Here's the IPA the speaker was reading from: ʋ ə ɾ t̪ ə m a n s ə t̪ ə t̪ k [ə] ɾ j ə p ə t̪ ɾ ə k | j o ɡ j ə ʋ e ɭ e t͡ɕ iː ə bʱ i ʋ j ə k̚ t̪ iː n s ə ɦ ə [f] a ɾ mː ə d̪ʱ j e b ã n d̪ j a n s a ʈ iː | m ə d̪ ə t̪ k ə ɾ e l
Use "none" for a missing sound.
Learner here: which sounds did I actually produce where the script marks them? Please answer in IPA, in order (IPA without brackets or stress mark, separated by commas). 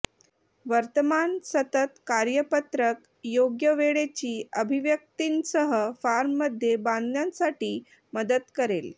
a, f